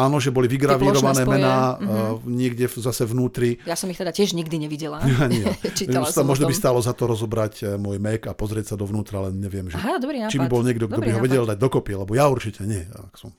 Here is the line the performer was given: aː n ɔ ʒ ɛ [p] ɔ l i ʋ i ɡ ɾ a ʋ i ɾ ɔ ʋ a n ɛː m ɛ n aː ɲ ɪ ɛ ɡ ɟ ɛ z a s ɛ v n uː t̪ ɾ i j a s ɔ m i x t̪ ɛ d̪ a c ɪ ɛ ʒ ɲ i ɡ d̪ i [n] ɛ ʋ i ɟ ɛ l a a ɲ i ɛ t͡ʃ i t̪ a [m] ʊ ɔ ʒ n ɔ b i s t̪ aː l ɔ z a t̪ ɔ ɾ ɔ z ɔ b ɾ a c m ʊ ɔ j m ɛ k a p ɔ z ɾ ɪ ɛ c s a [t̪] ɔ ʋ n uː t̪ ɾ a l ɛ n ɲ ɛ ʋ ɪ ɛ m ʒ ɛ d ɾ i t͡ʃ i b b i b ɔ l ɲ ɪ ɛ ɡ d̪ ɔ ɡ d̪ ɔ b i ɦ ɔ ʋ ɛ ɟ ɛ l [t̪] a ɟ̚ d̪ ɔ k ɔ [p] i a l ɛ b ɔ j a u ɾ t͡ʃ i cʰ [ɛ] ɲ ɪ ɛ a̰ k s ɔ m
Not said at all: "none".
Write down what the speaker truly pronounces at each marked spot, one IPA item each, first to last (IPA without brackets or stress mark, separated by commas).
b, ɲ, m, d̪, d̪, p, ɛ